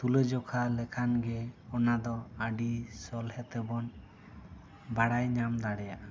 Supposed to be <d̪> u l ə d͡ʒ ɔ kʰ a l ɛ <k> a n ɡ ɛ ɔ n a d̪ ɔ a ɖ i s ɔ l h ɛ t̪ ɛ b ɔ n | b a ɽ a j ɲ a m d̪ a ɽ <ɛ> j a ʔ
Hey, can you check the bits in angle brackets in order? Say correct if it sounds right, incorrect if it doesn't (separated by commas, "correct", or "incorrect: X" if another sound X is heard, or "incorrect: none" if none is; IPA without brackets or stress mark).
incorrect: t̪, incorrect: kʰ, correct